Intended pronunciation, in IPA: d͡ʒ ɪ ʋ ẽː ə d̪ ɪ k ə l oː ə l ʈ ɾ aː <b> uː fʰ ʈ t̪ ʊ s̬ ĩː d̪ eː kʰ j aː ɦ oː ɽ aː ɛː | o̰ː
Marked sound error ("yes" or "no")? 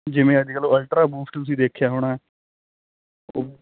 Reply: no